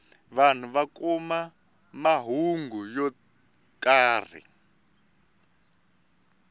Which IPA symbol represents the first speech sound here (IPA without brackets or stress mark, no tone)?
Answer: β